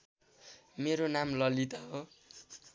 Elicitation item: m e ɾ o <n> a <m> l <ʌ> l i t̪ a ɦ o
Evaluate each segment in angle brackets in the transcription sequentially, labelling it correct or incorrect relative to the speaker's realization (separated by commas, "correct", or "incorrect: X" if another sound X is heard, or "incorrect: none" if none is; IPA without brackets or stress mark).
correct, correct, correct